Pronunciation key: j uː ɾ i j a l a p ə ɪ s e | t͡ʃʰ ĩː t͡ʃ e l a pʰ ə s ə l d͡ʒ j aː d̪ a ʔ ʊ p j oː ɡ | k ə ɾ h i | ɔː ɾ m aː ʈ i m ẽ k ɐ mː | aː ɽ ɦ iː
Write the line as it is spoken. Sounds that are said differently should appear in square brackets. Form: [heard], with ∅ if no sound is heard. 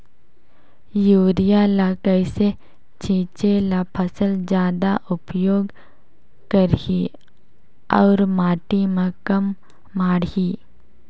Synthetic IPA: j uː ɾ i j a l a [k] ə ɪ s e | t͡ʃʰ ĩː t͡ʃ e l a pʰ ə s ə l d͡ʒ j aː d̪ a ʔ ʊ p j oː ɡ | k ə ɾ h i | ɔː ɾ m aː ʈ i m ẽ k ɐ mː | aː ɽ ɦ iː